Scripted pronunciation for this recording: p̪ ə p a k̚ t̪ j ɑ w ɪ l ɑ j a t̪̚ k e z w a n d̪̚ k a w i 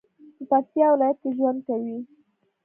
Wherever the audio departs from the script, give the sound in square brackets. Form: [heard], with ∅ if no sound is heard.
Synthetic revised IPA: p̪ ə p a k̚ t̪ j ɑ w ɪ l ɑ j a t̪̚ k e [ʒ] w a n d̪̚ k a w i

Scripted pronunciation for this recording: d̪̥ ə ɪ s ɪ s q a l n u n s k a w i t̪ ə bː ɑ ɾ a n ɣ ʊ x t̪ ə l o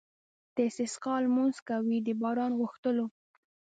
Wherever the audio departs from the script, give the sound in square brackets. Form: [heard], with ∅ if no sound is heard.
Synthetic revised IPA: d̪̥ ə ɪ s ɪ s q [ɑ] l [m] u n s k a w i [d̪] ə [b] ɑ ɾ [ɑ] n ɣ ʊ x t̪ ə l o

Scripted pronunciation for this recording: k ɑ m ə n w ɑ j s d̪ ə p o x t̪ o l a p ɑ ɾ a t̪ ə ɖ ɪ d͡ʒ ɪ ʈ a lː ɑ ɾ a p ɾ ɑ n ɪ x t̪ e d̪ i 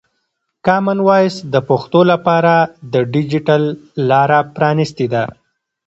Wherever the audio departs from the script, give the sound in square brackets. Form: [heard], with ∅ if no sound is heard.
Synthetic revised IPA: k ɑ m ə n w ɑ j s d̪ ə p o x t̪ o l a p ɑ ɾ a [d̪] ə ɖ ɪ d͡ʒ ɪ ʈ a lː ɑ ɾ a p ɾ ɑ n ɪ [s] t̪ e d̪ [a]

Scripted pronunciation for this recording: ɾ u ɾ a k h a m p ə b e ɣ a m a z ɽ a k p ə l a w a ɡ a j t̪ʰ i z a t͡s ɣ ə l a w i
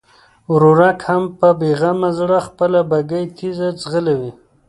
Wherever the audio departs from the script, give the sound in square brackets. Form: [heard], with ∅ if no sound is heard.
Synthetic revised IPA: ɾ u ɾ a k h a m p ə b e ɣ a m a z ɽ a [x] p ə l a [b] a ɡ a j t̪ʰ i z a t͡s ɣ ə l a w i

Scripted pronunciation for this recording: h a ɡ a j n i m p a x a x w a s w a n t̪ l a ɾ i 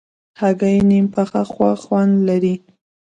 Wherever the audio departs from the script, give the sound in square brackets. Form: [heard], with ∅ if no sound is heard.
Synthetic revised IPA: h a ɡ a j n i m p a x a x w a [x] w a n [d̪] l a ɾ i

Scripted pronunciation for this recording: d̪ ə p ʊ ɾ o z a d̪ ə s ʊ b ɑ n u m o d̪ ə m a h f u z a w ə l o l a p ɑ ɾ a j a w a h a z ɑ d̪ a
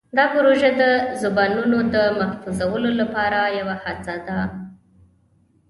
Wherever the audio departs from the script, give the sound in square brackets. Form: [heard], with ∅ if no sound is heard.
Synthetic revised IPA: d̪ [ɑ] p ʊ ɾ o [ʒ] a d̪ ə [z] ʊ b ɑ n u [n] o d̪ ə m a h f u z a w ə l o l a p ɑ ɾ a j a w a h a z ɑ d̪ a

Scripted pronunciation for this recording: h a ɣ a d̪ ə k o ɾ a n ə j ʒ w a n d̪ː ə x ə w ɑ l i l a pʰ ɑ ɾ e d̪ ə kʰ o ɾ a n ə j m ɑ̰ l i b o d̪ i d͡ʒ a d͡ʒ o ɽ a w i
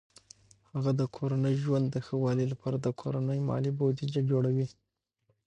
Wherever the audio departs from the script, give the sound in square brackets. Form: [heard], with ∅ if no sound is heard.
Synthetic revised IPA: h a ɣ a d̪ ə [kʰ] o ɾ a n ə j ʒ w a n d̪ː ə x ə w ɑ l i l a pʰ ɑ ɾ [a] d̪ ə kʰ o ɾ a n ə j m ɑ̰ l i b o d̪ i d͡ʒ a d͡ʒ o ɽ a w i

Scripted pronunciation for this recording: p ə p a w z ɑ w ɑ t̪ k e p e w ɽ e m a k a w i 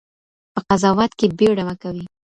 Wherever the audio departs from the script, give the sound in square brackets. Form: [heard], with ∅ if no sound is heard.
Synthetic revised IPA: p ə [q] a [∅] z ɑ w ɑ t̪ k e [b] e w ɽ [a] m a k a w i

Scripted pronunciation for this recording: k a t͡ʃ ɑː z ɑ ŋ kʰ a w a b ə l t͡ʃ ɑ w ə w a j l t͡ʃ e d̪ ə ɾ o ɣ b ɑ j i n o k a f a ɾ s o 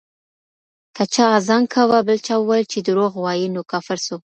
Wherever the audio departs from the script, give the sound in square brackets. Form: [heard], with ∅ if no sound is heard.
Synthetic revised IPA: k a t͡ʃ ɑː z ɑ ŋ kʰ a w a b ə l t͡ʃ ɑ w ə w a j l t͡ʃ e d̪ ə ɾ o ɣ [w] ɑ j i n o k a f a ɾ s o

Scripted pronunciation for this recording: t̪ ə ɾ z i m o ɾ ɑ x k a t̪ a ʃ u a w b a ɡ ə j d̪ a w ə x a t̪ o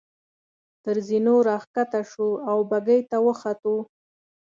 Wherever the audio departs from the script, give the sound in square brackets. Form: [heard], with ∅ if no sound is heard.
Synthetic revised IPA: t̪ ə ɾ z i [n] o ɾ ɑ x k a t̪ a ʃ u a w b a ɡ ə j [t̪] a w ə x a t̪ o

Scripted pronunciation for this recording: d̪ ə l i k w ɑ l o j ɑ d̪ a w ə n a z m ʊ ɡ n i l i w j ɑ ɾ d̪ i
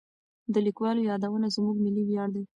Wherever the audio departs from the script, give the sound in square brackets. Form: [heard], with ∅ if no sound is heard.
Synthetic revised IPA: d̪ ə l i k w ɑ l o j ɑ d̪ a w ə n a z m [u] ɡ [m] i l i w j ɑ [ɽ] d̪ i

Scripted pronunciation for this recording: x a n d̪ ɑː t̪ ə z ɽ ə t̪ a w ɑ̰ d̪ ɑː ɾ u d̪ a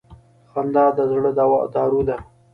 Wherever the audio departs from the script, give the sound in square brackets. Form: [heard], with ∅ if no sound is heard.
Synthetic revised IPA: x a n d̪ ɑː [d̪] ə z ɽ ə [d̪] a w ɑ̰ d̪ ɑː ɾ u d̪ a

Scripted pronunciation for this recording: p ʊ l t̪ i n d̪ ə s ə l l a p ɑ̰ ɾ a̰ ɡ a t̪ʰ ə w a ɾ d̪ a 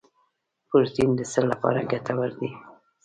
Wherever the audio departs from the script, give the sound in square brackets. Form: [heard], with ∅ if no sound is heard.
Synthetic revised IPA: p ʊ [ɾ] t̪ i n d̪ ə s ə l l a p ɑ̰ ɾ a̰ ɡ a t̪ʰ [a] w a ɾ d̪ [i]

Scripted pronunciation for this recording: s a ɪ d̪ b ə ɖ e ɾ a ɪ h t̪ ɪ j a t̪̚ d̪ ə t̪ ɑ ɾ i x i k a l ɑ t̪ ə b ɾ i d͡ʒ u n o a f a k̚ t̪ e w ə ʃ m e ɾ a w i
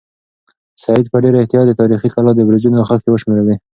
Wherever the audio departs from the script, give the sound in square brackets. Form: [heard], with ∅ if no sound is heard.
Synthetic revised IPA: s a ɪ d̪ [p] ə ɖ e ɾ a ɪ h t̪ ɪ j [ɑ] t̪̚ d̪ ə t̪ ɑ ɾ i x i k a l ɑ [d̪] ə b ɾ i d͡ʒ u n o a [x] a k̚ t̪ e w ə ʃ m e ɾ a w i

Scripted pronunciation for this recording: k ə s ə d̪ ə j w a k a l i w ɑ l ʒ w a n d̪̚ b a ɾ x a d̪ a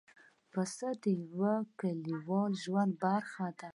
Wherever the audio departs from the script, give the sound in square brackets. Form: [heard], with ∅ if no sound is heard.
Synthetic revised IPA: [p] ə s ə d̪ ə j w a k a l i w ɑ l ʒ w a n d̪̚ b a ɾ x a d̪ a

